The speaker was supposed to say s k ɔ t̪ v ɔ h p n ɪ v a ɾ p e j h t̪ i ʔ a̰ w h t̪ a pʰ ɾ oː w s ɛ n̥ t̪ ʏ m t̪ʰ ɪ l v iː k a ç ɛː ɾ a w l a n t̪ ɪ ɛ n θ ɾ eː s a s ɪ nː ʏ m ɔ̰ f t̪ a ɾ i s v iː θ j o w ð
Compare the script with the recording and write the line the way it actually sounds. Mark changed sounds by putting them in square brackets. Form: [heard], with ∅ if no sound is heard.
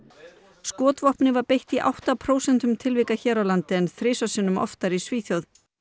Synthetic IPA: s k [ɔː] t̪ v ɔ h p n ɪ v a ɾ p e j h t̪ i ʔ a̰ w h t̪ a pʰ ɾ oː w s ɛ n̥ t̪ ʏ m t̪ʰ ɪ l v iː k a ç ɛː ɾ a w l a n t̪ ɪ ɛ n θ ɾ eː s a s ɪ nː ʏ m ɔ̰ f t̪ a ɾ i s v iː θ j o w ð